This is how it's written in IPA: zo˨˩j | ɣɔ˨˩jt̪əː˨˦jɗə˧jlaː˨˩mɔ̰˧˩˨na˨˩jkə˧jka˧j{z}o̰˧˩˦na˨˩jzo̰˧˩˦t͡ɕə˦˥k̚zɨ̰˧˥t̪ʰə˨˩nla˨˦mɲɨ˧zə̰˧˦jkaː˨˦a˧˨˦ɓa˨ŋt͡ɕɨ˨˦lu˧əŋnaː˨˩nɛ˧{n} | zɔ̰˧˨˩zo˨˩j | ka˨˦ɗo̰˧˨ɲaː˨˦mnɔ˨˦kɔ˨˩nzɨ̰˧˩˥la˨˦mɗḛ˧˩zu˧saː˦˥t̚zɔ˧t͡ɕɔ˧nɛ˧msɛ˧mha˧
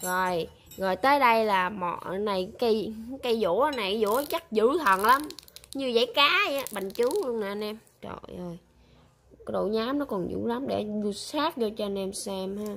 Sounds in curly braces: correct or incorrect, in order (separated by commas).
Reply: correct, incorrect